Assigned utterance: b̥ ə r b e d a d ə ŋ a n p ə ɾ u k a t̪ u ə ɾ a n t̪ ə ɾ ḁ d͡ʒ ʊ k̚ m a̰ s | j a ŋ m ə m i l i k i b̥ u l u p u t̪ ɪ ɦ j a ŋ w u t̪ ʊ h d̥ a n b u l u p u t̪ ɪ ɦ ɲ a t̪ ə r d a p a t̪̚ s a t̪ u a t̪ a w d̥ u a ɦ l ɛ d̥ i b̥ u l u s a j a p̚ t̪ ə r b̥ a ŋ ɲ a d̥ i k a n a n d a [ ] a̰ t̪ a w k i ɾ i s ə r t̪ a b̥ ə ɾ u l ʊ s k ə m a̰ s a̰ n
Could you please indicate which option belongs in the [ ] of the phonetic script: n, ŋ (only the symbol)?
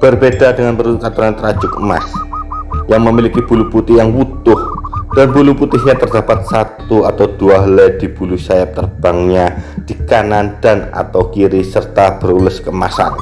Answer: n